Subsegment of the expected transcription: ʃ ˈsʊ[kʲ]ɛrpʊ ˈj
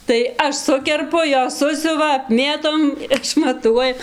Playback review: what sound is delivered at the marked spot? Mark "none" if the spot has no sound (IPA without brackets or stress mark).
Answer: kʲ